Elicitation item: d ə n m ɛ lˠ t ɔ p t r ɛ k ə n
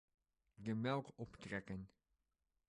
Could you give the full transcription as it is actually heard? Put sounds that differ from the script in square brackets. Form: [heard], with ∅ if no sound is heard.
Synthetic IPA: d ə [∅] m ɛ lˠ [k] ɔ p t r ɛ k ə n